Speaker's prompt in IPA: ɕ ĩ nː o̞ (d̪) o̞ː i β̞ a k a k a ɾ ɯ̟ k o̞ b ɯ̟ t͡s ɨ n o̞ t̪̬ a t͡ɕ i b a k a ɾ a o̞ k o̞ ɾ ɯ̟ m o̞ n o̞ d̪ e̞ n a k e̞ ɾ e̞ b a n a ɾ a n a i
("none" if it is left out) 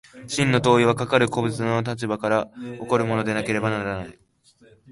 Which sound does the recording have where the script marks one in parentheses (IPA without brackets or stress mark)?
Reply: t̪